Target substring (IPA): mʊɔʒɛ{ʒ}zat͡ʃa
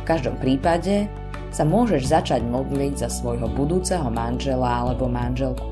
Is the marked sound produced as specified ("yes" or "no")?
yes